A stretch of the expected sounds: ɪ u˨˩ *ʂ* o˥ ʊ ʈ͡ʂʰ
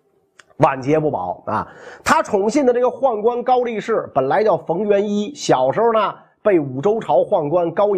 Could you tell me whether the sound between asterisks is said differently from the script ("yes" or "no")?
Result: yes